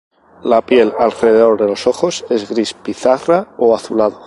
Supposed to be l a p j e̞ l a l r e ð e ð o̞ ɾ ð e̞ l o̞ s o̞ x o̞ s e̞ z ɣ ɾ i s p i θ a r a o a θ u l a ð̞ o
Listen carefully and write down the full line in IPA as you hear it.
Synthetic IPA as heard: l a p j e̞ l a l r e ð e ð o̞ ɾ ð e̞ l o̞ s o̞ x o̞ s e̞ z ɣ ɾ i s p i θ a r a o a θ u l a ð̞ o